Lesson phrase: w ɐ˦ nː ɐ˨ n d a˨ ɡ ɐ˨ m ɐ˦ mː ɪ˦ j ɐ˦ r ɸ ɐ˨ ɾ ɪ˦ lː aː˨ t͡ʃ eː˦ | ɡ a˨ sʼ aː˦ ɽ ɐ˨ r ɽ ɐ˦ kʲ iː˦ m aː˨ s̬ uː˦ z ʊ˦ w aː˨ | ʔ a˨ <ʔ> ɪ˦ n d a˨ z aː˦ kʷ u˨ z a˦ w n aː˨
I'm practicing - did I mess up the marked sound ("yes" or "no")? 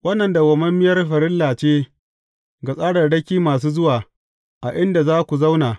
no